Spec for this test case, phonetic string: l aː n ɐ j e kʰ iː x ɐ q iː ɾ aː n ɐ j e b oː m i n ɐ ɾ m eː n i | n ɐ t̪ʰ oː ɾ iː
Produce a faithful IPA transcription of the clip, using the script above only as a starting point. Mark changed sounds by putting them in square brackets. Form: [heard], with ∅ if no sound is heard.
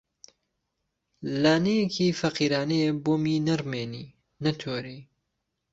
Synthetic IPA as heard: l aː n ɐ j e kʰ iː [f] ɐ q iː ɾ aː n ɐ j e b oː m i n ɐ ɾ m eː n i | n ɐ t̪ʰ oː ɾ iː